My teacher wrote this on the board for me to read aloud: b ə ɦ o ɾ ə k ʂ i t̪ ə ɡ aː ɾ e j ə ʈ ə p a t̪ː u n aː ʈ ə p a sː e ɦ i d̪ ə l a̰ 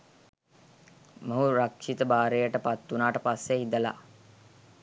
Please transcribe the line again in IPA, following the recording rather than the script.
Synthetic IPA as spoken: m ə ɦ u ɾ a k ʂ i t̪ ə b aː ɾ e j ə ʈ ə p a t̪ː u n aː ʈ ə p a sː e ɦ i d̪ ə l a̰